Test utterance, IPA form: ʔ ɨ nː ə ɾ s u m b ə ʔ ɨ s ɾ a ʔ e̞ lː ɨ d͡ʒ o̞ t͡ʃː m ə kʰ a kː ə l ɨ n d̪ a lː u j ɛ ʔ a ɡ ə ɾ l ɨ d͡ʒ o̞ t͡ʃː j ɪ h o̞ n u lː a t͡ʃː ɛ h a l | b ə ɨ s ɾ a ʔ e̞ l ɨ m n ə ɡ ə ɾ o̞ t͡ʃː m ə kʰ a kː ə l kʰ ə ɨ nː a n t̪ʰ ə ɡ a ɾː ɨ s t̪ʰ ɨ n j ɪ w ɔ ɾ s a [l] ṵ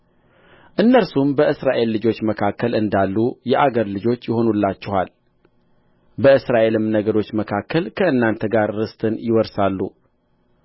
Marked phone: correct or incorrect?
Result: incorrect